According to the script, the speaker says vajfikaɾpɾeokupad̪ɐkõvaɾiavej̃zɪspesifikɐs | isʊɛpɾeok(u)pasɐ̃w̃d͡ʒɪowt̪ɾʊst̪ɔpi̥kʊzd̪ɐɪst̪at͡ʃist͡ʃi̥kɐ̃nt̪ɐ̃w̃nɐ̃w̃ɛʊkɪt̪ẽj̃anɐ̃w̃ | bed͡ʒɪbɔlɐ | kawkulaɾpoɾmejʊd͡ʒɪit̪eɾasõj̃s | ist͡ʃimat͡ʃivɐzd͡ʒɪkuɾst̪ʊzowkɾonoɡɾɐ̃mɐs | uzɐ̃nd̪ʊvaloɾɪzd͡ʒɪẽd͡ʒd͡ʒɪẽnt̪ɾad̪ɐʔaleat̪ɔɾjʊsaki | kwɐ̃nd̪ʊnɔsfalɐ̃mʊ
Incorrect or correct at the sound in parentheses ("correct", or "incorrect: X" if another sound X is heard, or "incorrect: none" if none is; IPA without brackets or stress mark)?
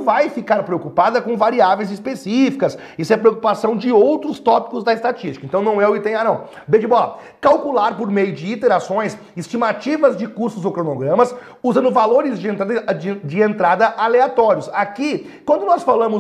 correct